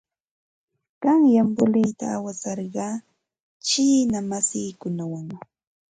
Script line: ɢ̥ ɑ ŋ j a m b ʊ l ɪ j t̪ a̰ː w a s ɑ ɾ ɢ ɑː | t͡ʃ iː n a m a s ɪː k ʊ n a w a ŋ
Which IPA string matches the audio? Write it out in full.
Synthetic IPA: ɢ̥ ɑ ŋ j a m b ʊ l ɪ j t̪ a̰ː w a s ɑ ɾ ɢ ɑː | t͡ʃ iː n a m a s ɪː k ʊ n a w a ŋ